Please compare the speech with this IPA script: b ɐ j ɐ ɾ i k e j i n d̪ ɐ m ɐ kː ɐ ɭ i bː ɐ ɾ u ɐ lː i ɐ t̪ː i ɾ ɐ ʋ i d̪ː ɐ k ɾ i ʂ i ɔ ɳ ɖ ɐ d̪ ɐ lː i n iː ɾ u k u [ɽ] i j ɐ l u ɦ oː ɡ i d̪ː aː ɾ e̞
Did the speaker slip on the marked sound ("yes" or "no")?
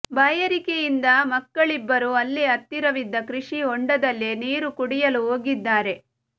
no